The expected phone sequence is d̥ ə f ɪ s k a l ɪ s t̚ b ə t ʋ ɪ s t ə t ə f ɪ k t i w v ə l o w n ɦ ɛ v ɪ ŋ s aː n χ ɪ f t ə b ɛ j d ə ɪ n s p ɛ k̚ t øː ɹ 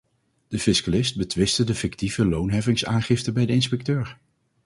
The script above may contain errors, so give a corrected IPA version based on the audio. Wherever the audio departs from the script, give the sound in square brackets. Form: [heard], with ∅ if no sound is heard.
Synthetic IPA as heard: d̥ ə f ɪ s k a l ɪ s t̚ b ə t ʋ ɪ s t ə [d] ə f ɪ k t i [∅] v ə l o w n ɦ ɛ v ɪ ŋ s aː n χ ɪ f t ə b ɛ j d ə ɪ n s p ɛ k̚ t øː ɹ